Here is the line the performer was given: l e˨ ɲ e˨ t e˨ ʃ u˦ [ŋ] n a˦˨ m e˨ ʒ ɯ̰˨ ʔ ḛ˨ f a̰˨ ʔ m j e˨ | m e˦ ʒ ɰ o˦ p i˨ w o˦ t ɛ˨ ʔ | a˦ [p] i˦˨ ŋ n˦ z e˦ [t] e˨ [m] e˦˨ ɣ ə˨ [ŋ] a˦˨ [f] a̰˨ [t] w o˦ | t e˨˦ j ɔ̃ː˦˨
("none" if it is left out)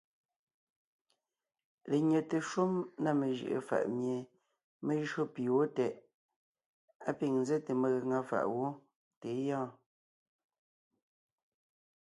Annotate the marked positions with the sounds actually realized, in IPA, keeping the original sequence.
m, p, t, m, ŋ, f, ʔ

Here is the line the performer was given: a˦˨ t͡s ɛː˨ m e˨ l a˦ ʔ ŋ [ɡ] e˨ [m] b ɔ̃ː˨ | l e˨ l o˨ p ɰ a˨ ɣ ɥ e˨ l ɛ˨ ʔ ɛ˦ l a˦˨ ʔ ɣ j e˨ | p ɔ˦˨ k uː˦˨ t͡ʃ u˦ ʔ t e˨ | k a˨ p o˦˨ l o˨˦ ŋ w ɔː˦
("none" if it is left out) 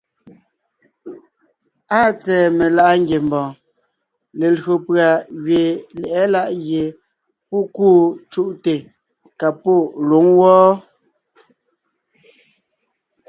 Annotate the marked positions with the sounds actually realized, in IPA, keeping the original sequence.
ɡ, m

